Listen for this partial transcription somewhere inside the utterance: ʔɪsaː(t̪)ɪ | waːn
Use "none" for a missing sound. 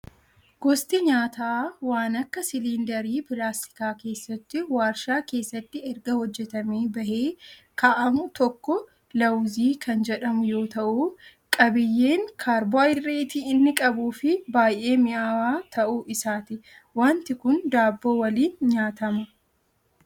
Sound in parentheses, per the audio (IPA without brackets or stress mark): t̪